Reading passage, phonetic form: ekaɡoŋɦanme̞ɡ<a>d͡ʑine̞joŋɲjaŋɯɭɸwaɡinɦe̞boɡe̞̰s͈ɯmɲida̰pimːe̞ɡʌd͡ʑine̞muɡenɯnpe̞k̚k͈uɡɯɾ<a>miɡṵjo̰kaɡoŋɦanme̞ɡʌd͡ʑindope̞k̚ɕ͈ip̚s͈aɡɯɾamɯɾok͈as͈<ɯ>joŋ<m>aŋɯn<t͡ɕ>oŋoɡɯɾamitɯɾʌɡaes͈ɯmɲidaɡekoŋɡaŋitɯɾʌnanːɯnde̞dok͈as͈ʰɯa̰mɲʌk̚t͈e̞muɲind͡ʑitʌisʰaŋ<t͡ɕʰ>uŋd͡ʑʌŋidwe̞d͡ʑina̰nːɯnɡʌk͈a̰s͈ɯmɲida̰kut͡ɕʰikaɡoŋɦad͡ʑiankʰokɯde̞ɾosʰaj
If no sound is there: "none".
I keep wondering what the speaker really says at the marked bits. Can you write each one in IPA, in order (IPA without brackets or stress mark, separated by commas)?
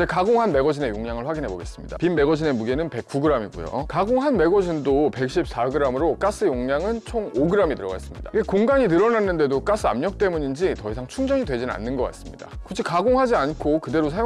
ʌ, a, ɯ, ɲ, t͡ɕʰ, t͡ɕʰ